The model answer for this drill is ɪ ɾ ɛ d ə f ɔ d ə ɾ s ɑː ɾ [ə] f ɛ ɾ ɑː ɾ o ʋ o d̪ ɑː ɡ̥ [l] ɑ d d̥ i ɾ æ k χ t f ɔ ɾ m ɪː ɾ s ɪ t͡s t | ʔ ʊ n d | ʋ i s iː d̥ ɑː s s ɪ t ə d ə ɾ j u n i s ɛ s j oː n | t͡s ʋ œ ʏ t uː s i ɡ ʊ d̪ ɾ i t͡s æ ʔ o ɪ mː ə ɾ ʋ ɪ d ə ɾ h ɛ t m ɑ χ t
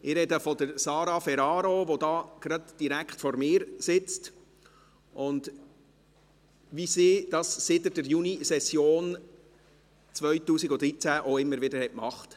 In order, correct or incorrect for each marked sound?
incorrect, incorrect

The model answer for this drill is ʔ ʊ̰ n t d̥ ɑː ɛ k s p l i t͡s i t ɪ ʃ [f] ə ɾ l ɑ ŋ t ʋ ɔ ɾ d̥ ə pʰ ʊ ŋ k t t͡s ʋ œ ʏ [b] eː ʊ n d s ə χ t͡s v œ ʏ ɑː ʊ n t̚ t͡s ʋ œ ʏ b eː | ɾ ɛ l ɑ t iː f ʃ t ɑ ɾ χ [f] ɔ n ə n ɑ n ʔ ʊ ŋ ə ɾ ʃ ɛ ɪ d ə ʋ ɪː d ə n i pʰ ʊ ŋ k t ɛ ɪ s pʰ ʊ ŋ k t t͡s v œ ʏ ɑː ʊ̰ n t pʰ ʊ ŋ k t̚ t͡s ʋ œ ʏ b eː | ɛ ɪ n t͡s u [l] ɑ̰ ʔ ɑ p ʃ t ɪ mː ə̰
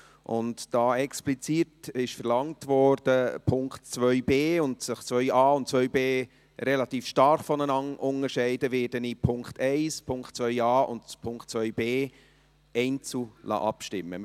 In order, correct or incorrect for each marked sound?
correct, correct, correct, correct

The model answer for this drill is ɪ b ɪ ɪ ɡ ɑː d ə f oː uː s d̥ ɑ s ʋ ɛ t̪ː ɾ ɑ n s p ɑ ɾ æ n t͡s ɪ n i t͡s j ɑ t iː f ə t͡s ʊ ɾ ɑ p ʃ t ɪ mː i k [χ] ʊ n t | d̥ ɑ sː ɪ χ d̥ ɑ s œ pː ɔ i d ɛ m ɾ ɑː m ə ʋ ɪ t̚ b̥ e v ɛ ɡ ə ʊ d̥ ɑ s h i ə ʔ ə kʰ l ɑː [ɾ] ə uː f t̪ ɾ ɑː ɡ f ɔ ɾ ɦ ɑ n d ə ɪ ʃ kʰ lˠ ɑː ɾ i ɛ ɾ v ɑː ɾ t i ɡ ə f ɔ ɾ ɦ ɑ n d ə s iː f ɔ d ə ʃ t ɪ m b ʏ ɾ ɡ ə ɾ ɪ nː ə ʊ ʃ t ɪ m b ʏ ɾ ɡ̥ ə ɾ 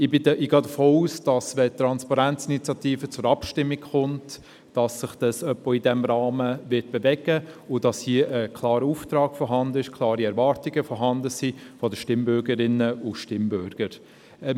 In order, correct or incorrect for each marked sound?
correct, correct

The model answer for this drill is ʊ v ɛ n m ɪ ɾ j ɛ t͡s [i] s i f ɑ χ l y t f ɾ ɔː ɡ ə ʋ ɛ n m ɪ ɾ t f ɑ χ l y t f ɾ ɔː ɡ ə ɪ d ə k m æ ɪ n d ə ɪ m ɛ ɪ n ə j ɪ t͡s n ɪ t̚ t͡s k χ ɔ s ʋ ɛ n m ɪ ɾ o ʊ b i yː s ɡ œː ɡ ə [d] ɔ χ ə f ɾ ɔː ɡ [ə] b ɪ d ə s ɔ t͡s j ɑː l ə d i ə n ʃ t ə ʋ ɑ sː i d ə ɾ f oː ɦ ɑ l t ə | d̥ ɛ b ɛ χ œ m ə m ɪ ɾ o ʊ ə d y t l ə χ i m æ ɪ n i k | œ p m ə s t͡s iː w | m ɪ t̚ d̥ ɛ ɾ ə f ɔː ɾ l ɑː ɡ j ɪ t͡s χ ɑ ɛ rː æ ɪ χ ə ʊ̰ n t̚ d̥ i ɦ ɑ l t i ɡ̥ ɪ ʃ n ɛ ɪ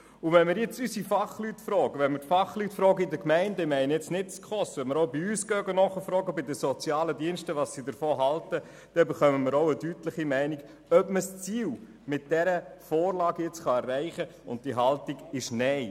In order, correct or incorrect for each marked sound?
incorrect, incorrect, correct

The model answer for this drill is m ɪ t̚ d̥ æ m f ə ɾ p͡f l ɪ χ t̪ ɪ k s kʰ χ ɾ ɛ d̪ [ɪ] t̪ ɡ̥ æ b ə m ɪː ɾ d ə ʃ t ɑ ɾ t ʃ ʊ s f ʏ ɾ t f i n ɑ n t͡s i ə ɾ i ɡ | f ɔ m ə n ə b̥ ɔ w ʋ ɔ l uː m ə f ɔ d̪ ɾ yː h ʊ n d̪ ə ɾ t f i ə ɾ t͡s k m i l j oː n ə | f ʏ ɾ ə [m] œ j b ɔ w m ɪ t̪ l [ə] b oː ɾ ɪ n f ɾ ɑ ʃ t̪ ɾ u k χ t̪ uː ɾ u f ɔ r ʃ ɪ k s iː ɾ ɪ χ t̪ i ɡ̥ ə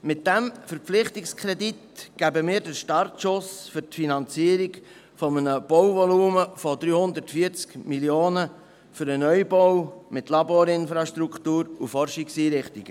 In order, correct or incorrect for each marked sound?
incorrect, incorrect, incorrect

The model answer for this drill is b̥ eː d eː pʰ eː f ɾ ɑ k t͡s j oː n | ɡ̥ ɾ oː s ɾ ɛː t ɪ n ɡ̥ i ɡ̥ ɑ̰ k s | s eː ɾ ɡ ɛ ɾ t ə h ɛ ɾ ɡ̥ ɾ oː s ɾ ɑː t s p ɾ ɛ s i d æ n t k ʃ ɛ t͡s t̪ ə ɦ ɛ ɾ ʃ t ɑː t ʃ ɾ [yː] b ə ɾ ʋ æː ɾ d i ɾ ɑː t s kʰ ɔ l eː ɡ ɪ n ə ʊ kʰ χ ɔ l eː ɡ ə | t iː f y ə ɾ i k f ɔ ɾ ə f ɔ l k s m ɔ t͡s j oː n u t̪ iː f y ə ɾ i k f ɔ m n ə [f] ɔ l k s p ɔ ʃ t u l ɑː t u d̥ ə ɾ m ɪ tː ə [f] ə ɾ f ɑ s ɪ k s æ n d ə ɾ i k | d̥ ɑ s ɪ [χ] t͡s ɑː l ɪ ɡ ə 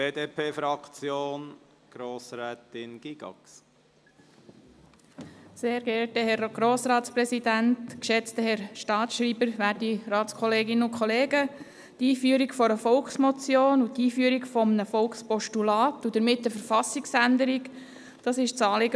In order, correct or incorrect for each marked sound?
incorrect, correct, correct, incorrect

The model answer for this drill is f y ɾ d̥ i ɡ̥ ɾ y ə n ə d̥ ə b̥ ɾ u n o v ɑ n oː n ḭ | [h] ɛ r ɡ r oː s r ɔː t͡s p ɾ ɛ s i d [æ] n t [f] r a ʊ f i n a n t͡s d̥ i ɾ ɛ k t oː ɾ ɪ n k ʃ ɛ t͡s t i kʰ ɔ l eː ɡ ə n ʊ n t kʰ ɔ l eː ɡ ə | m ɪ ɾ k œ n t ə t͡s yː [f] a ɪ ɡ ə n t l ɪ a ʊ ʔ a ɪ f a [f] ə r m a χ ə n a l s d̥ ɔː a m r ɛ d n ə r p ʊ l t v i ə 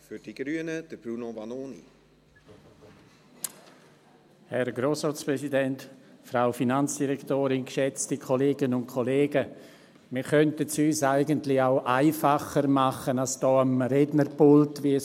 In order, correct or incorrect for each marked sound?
correct, incorrect, correct, incorrect, incorrect

